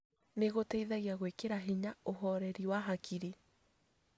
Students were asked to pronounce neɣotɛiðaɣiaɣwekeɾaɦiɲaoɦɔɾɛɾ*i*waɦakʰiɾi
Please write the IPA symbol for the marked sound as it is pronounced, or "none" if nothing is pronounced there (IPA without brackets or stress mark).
i